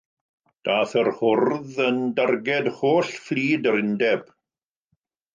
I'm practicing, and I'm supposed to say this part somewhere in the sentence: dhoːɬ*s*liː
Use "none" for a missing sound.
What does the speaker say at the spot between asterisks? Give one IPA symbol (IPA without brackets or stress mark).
f